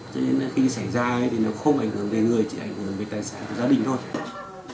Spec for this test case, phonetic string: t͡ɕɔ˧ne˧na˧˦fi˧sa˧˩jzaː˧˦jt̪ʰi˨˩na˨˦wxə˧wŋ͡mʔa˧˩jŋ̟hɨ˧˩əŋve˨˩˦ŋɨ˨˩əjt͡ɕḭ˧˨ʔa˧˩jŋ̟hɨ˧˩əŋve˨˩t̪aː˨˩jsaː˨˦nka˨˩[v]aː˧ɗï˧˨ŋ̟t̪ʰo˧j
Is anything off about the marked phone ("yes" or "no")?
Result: yes